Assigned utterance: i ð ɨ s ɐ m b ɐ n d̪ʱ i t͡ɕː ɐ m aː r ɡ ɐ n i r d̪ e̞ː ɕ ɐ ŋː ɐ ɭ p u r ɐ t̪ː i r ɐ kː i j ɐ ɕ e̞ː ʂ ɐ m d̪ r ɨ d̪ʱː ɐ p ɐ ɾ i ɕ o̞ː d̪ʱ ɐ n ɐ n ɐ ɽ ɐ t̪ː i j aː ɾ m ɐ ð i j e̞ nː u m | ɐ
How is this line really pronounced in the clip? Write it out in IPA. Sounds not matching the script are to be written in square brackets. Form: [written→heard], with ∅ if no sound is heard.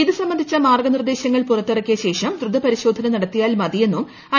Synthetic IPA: i ð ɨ s ɐ m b ɐ n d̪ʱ i t͡ɕː ɐ m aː r ɡ ɐ n i r d̪ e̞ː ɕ ɐ ŋː ɐ ɭ p u r ɐ t̪ː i r ɐ kː i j ɐ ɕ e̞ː ʂ ɐ m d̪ r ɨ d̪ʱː ɐ p ɐ ɾ i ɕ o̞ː d̪ʱ ɐ n ɐ n ɐ ɽ ɐ t̪ː i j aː [ɾ→l] m ɐ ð i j e̞ nː u m | ɐ